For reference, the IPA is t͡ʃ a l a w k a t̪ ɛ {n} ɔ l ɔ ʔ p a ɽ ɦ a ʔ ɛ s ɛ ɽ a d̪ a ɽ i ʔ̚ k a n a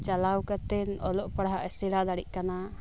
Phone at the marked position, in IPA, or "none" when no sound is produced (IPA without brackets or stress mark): n